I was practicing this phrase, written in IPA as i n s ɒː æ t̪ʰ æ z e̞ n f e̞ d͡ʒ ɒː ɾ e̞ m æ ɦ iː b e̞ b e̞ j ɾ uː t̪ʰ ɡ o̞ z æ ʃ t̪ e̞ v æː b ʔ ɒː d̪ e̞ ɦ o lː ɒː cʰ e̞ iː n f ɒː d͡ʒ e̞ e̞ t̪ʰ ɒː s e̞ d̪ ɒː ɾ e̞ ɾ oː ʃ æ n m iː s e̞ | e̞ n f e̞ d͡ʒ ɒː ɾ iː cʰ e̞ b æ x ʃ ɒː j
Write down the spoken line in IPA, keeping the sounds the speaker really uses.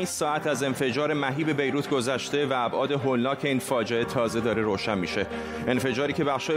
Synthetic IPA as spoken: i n s ɒː æ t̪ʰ æ z e̞ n f e̞ d͡ʒ ɒː ɾ e̞ m æ ɦ iː b e̞ b e̞ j ɾ uː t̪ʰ ɡ o̞ z æ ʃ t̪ e̞ v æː b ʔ ɒː d̪ e̞ ɦ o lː ɒː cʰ e̞ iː n f ɒː d͡ʒ e̞ e̞ t̪ʰ ɒː z e̞ d̪ ɒː ɾ e̞ ɾ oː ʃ æ n m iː ʃ e̞ | e̞ n f e̞ d͡ʒ ɒː ɾ iː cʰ e̞ b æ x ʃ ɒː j